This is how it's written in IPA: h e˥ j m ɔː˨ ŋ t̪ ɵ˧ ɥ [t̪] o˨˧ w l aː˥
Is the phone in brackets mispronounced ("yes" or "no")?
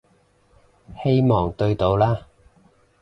no